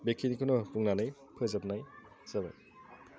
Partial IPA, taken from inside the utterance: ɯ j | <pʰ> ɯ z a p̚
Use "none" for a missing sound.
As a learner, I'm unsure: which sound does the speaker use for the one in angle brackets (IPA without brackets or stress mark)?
pʰ